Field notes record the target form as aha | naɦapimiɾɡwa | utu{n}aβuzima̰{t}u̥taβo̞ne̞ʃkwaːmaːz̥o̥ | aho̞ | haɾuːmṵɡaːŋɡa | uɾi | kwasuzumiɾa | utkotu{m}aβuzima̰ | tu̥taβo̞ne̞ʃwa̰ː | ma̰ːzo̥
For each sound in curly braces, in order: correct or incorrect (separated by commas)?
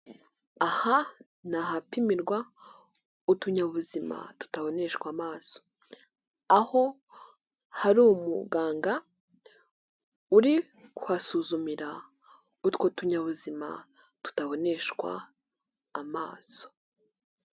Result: incorrect, correct, incorrect